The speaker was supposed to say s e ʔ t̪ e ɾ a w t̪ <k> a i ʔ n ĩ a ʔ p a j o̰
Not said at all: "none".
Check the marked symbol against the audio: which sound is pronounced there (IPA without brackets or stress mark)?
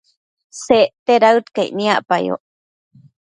k